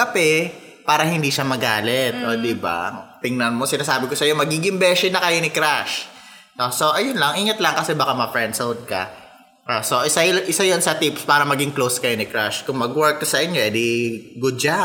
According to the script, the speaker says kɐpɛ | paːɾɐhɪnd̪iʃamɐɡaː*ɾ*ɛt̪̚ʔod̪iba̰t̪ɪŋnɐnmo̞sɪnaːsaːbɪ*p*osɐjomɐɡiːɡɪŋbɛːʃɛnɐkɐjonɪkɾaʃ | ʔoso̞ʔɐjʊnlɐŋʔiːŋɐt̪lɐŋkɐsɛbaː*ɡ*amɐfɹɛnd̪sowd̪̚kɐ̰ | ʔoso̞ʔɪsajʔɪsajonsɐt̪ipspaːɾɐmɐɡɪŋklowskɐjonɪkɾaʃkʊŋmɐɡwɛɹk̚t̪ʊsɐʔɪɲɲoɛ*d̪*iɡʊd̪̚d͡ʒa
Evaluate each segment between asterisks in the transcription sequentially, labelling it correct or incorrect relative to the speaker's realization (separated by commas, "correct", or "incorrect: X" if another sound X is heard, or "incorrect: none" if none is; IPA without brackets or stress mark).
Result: incorrect: l, incorrect: k, incorrect: k, correct